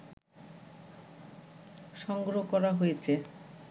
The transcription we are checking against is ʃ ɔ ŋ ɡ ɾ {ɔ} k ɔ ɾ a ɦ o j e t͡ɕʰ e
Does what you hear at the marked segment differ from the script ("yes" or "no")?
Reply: yes